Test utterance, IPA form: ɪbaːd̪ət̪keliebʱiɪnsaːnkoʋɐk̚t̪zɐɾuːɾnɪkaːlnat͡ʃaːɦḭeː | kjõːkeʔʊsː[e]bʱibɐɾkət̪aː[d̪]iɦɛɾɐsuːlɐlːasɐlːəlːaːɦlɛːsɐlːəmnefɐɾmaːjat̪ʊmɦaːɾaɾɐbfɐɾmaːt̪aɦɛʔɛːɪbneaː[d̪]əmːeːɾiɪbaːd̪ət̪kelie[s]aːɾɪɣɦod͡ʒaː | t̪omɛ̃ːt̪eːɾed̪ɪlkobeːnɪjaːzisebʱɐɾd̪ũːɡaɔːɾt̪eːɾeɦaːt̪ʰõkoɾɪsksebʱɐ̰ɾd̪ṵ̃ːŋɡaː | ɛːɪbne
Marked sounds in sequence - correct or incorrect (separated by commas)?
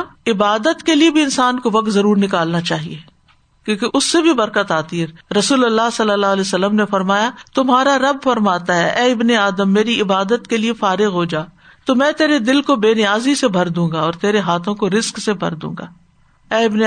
correct, incorrect, correct, incorrect